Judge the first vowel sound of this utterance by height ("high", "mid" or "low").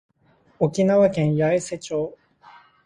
mid